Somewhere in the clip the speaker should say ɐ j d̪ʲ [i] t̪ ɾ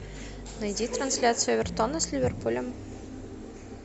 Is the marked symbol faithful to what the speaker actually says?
yes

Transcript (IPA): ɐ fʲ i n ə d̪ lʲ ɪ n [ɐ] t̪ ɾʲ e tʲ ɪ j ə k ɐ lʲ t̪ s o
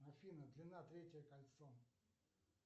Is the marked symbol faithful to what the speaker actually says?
no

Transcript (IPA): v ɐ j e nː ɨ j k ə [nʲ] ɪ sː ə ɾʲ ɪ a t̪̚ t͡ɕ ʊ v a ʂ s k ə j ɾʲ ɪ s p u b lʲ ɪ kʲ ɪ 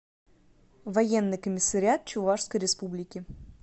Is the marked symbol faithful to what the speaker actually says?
no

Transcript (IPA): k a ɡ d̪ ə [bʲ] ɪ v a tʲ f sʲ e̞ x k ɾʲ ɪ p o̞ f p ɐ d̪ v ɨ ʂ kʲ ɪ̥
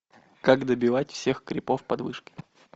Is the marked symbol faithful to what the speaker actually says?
yes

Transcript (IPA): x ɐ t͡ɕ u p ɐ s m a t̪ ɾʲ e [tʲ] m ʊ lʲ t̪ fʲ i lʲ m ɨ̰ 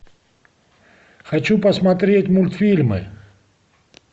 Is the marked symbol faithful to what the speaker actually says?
yes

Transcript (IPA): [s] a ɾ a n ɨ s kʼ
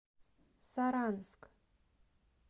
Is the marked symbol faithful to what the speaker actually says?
yes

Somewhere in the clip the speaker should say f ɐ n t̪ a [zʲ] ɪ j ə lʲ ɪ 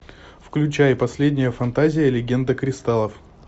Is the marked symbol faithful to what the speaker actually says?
yes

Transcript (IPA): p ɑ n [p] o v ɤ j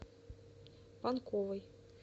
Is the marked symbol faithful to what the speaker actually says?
no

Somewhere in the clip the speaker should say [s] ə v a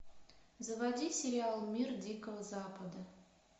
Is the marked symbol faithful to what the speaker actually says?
no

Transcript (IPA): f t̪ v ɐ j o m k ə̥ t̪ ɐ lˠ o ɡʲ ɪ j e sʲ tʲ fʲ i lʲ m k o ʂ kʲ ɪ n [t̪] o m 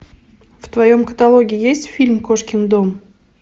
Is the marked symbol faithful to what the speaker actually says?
no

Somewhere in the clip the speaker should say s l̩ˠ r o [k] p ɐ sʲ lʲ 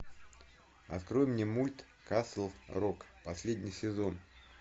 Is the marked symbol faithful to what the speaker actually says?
yes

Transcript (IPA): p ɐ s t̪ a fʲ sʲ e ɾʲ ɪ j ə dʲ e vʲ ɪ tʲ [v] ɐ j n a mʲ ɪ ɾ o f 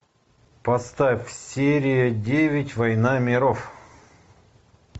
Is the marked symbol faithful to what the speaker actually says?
yes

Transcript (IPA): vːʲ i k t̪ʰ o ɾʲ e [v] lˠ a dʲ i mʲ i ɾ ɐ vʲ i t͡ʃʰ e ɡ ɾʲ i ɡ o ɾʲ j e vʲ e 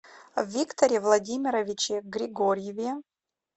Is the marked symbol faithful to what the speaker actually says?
yes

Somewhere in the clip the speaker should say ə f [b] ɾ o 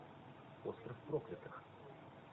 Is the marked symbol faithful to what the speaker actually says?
no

